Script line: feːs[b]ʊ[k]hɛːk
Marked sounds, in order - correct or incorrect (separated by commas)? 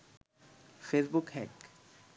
correct, correct